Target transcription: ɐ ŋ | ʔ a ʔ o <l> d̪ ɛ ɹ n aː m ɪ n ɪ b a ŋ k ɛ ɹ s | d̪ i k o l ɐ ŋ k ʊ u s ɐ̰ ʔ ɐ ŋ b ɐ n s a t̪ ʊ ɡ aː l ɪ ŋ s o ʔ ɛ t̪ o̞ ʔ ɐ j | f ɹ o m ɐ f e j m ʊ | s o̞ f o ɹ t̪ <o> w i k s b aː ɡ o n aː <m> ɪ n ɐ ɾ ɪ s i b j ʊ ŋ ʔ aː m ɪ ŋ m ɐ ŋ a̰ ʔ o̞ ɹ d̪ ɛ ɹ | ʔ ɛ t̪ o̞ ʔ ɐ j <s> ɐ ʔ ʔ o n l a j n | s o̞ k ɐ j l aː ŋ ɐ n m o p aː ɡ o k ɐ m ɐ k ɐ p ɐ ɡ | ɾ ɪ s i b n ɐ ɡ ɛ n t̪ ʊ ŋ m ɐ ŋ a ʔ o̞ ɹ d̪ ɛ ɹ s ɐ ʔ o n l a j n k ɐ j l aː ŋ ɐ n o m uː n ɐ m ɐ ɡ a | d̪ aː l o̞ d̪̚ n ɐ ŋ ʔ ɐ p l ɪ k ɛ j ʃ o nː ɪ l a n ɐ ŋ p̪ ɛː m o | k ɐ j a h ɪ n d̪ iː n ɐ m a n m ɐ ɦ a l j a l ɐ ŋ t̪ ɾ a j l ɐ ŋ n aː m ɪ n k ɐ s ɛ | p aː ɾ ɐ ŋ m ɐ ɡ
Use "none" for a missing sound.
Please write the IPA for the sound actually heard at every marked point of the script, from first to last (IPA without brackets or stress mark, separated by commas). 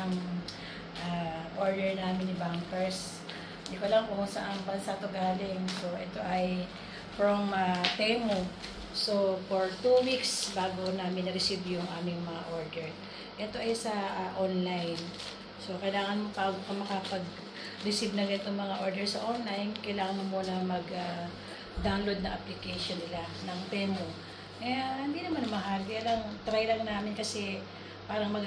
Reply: ɹ, u, m, s